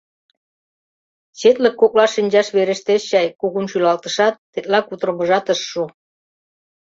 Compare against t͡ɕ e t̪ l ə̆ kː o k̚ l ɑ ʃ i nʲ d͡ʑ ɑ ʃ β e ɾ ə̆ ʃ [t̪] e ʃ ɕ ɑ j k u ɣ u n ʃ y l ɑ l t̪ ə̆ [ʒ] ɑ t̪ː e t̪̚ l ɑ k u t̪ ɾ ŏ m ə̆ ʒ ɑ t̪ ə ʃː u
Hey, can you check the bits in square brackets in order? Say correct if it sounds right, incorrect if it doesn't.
correct, incorrect: ʃ

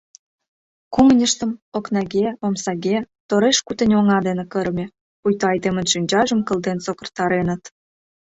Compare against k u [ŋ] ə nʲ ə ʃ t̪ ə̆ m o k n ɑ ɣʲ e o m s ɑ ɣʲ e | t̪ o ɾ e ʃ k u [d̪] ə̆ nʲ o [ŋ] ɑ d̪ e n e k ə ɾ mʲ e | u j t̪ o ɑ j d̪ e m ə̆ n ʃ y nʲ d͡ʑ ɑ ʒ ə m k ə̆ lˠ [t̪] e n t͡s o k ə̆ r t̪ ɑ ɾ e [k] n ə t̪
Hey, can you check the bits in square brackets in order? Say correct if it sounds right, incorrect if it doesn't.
correct, incorrect: t̪, correct, incorrect: d̪, incorrect: none

